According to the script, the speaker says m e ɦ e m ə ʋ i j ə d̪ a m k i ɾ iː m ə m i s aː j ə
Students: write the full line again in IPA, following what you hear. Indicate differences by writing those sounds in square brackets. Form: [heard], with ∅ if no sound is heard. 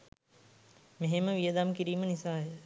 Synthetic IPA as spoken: m e ɦ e m ə ʋ i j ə d̪ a m k i ɾ iː m ə [n] i s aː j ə